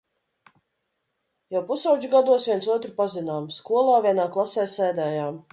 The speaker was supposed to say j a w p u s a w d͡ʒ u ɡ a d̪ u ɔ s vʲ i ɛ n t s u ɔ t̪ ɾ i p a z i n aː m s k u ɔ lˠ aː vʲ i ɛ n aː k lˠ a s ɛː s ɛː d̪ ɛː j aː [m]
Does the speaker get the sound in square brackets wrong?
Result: no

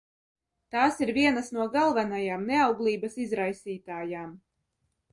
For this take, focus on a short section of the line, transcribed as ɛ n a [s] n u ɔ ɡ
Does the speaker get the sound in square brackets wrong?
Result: no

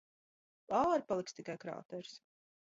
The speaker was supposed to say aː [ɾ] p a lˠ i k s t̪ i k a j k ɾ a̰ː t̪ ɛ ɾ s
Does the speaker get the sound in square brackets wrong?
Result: no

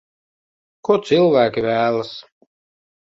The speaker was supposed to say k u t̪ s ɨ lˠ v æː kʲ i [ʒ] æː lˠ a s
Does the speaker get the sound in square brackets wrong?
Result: yes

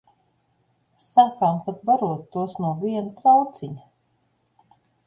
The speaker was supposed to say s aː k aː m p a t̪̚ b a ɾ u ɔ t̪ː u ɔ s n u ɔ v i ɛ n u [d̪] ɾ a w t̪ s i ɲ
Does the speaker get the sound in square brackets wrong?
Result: yes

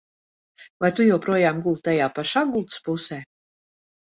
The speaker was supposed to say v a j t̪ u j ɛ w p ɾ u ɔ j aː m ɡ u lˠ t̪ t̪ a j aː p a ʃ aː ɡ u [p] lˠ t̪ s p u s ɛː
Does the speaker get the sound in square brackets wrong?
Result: yes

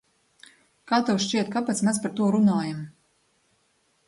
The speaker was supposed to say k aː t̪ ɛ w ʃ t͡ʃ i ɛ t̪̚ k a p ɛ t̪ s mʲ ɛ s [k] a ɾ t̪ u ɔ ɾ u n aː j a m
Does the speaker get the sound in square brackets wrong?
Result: yes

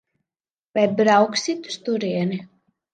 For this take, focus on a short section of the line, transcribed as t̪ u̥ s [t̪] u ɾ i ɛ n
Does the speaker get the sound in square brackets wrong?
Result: no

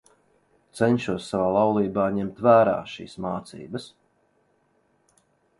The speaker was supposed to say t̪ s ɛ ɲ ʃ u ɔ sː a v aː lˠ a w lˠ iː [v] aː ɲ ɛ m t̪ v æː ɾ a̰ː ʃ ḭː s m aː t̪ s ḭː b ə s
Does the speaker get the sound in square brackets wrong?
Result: yes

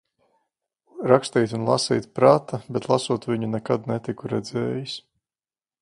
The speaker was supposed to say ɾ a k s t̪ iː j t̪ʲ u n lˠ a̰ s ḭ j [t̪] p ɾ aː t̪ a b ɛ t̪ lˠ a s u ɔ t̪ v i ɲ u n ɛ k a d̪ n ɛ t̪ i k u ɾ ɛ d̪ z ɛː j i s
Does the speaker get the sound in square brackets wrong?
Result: no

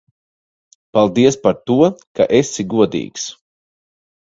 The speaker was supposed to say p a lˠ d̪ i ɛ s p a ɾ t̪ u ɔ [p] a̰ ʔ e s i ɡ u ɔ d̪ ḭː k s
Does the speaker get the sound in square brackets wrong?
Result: yes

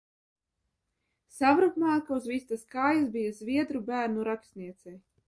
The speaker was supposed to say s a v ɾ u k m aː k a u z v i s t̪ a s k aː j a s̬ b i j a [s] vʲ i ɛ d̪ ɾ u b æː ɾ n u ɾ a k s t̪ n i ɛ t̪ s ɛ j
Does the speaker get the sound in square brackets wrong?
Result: yes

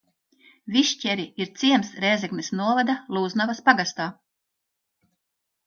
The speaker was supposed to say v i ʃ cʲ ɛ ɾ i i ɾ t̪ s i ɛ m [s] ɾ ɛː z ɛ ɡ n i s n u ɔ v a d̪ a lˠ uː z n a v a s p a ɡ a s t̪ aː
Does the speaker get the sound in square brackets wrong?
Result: no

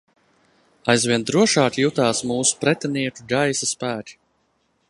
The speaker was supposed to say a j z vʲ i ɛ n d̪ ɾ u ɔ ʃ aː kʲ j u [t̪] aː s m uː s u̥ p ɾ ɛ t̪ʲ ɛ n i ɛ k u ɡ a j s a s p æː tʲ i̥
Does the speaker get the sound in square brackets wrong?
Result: no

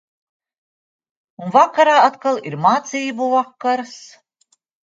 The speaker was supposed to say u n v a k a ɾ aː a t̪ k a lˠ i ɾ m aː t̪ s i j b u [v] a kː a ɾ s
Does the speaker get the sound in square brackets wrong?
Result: no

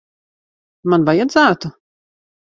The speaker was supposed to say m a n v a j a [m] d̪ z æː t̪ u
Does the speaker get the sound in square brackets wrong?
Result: yes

